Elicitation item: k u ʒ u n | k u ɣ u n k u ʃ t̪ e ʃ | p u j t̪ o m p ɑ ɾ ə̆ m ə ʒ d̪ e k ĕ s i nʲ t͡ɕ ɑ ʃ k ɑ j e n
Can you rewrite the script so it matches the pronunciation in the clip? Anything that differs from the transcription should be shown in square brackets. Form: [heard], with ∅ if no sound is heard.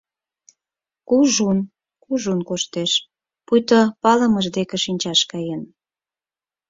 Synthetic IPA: k u ʒ u n | k u [ʒ] u n k [o] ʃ t̪ e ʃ | p u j t̪ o [∅] p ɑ [l] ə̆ m ə ʒ d̪ e k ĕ [ʃ] i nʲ t͡ɕ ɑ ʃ k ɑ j e n